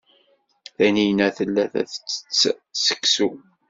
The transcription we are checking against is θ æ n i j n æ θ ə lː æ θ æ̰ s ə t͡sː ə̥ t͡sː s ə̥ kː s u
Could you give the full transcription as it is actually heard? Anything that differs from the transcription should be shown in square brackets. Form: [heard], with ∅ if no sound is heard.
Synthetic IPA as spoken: θ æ n i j n æ θ ə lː æ θ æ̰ [θ] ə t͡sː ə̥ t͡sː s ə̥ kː s u